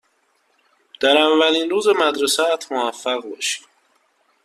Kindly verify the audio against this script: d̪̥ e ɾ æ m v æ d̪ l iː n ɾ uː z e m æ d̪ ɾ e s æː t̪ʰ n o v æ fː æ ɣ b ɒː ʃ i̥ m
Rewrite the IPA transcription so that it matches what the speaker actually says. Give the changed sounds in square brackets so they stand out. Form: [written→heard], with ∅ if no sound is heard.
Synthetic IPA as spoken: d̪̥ [e→æ] ɾ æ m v æ [d̪→∅] l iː n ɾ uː z e m æ d̪ ɾ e s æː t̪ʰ [n→m] o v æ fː æ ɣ b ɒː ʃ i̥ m